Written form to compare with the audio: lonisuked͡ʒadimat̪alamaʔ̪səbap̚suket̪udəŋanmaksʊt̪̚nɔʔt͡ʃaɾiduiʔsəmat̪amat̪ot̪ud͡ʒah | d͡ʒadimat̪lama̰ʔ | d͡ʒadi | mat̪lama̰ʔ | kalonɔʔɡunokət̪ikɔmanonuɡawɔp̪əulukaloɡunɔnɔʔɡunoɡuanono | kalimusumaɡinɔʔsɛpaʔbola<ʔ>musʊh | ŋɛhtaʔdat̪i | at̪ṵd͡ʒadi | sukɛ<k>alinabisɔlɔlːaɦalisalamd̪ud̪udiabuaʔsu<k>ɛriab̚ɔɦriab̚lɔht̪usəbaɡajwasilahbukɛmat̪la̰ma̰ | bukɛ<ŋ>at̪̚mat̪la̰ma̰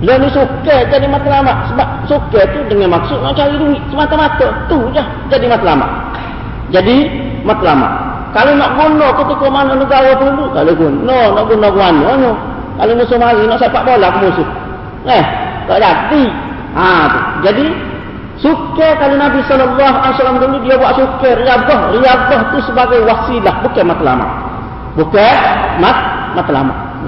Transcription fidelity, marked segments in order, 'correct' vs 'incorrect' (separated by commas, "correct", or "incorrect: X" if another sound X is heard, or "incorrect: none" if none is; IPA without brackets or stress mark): incorrect: k, correct, correct, incorrect: m